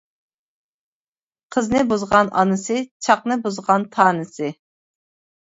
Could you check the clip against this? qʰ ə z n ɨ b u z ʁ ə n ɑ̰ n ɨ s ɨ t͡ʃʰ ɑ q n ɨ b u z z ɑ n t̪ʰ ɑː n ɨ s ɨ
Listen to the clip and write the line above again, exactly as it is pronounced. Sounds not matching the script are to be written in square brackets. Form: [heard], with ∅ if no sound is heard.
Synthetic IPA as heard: qʰ ə z n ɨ b u z ʁ [ɑ] n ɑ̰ n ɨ s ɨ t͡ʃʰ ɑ q n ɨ b u z [ʁ] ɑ n t̪ʰ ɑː n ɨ s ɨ

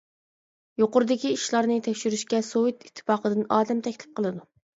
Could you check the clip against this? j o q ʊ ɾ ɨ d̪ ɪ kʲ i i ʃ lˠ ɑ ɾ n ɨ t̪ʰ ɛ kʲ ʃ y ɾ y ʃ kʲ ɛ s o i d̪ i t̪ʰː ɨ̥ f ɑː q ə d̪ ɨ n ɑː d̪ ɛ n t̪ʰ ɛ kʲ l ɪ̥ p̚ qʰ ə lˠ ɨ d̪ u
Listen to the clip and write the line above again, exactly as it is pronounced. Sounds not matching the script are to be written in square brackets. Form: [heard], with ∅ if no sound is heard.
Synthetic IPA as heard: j o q ʊ ɾ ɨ d̪ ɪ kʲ i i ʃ lˠ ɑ ɾ n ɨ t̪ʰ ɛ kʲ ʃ y ɾ y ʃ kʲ ɛ s o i [t̪] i t̪ʰː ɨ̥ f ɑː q ə d̪ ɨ n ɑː d̪ ɛ [m] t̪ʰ ɛ kʲ l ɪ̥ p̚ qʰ ə lˠ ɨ d̪ u

